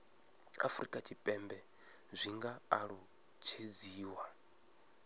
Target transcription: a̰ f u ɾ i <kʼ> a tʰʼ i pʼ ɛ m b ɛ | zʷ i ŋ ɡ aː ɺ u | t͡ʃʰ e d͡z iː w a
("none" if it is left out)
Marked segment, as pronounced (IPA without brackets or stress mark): kʼ